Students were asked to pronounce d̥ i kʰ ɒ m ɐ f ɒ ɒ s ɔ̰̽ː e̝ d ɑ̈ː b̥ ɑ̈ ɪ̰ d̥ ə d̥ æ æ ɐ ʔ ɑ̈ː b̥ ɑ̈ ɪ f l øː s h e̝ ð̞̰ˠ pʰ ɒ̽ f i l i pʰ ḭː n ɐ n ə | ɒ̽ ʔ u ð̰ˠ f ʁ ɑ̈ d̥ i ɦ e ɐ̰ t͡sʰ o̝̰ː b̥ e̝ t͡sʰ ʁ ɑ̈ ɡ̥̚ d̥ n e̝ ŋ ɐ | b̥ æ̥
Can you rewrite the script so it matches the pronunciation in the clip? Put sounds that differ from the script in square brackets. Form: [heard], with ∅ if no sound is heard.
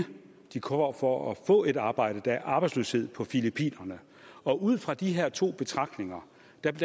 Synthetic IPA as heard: d̥ i kʰ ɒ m ɐ f ɒ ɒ [f] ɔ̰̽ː e̝ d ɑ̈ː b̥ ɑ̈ ɪ̰ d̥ ə d̥ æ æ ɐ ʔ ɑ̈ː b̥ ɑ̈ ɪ [s] l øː s h e̝ ð̞̰ˠ pʰ ɒ̽ f i l i pʰ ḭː n ɐ n ə | ɒ̽ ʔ u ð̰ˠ f ʁ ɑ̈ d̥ i ɦ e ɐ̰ t͡sʰ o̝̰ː b̥ e̝ t͡sʰ ʁ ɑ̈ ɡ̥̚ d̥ n e̝ ŋ ɐ | [d̥] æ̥